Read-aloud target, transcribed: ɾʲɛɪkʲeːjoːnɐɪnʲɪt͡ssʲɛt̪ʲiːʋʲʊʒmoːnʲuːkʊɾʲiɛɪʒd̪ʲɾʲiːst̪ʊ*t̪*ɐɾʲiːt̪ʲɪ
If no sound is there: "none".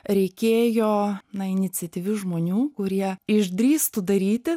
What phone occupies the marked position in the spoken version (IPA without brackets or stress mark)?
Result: d̪